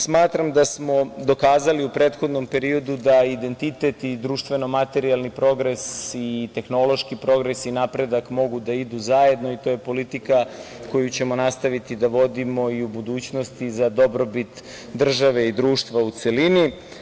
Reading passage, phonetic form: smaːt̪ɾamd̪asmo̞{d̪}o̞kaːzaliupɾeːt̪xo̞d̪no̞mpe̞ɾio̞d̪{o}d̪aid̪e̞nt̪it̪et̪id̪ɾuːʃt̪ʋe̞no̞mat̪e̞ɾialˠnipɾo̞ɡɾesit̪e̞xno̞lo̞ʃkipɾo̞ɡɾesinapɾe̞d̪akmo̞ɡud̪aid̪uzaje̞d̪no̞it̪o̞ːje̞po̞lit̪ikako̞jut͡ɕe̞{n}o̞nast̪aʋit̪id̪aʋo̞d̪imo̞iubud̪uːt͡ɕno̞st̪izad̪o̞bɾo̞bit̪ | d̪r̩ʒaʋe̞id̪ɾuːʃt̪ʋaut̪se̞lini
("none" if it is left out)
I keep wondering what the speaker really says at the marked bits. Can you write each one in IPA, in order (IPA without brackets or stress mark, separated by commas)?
d̪, u, m